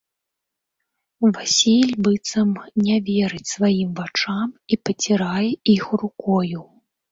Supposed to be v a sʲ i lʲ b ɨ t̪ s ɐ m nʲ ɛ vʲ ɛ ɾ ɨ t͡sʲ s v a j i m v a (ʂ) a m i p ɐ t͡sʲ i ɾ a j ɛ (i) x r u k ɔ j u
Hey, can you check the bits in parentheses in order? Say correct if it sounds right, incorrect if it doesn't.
incorrect: t͡ʂ, correct

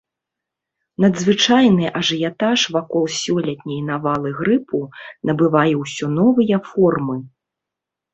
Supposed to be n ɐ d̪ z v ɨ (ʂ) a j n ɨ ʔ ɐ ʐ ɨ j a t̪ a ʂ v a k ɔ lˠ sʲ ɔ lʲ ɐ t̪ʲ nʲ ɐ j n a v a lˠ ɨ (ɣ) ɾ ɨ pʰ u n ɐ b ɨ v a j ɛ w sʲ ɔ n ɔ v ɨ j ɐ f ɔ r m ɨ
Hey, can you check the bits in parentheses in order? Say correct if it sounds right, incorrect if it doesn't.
incorrect: t͡ʂ, correct

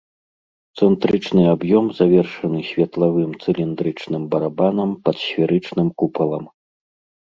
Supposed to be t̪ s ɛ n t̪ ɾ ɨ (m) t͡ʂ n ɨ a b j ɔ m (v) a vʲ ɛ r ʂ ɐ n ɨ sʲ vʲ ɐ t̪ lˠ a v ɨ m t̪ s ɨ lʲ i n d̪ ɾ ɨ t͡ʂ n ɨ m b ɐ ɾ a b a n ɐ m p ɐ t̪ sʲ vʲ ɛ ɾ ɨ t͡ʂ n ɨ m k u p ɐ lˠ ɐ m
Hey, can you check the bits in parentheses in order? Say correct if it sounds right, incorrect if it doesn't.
incorrect: none, incorrect: z

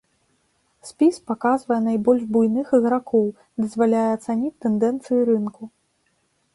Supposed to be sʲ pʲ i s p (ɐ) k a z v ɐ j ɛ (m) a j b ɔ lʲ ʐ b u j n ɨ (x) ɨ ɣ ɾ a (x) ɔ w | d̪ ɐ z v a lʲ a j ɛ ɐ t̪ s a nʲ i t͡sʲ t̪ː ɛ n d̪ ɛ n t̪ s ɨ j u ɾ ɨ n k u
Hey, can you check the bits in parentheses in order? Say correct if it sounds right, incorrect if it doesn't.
incorrect: a, incorrect: n, correct, incorrect: k

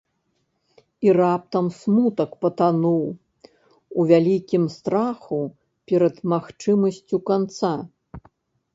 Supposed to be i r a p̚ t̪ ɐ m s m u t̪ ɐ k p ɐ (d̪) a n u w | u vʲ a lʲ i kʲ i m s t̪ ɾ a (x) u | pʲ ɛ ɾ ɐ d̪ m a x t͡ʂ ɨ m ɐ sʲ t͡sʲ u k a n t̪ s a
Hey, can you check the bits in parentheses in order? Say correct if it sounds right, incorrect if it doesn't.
incorrect: t̪, correct

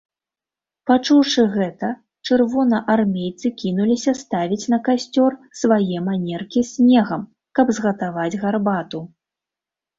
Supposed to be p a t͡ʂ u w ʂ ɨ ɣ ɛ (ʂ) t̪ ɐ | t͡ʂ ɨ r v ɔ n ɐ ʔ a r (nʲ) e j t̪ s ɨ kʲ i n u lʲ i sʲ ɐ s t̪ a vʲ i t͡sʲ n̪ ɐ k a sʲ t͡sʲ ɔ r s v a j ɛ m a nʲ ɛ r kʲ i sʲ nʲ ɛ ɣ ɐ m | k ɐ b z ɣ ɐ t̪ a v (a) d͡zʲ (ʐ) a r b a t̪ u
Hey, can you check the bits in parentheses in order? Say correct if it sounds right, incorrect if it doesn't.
incorrect: none, incorrect: mʲ, correct, incorrect: ɣ

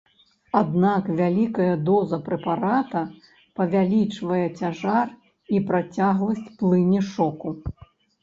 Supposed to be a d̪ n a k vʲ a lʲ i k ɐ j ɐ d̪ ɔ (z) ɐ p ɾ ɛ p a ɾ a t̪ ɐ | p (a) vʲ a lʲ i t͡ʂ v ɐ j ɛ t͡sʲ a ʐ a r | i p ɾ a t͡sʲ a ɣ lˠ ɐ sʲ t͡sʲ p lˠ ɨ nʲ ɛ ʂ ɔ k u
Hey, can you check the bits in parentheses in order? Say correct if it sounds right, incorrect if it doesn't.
correct, incorrect: ɐ

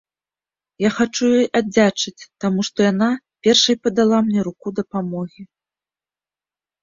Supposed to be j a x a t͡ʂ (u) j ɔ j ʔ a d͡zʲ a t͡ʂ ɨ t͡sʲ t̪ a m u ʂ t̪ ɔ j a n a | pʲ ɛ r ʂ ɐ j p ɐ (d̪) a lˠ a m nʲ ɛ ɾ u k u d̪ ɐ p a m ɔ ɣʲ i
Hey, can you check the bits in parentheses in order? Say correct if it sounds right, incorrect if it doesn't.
correct, correct

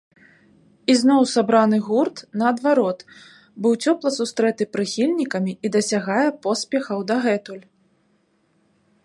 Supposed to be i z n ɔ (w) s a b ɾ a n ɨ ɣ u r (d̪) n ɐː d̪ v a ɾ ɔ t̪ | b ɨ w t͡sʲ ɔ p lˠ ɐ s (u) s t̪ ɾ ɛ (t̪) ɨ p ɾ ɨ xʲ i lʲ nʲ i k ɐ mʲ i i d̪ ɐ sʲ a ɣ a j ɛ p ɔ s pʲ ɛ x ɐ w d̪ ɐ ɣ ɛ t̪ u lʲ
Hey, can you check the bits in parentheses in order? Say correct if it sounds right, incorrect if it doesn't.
correct, incorrect: t̪, correct, correct

